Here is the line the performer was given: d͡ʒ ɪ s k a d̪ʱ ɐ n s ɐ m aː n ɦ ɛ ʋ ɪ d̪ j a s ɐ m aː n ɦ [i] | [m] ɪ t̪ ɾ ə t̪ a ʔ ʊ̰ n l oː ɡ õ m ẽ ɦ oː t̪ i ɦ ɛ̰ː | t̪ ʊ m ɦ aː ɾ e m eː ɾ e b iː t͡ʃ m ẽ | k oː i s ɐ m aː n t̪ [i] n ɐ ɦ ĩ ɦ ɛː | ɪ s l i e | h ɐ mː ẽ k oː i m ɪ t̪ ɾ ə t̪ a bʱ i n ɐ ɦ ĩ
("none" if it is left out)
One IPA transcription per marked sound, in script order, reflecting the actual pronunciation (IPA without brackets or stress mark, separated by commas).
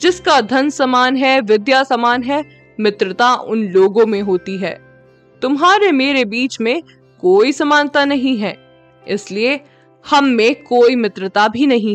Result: ɛ, m, a